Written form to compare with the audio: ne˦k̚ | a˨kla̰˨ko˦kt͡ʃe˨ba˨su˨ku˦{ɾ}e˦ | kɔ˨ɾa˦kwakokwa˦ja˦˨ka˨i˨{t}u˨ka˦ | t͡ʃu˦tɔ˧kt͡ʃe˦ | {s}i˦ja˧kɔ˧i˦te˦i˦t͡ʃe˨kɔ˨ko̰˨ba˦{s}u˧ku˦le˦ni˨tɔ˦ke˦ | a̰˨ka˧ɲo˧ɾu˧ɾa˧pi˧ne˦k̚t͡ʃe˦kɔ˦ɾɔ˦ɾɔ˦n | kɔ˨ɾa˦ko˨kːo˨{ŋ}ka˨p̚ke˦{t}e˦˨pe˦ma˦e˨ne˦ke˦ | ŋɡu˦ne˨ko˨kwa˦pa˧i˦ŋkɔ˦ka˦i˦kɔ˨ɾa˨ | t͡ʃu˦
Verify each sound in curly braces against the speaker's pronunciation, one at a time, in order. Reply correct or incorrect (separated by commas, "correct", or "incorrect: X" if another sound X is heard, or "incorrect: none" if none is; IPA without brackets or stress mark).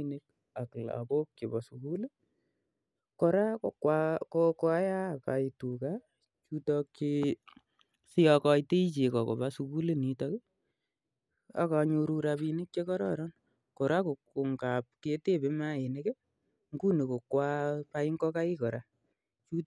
incorrect: l, correct, correct, correct, correct, correct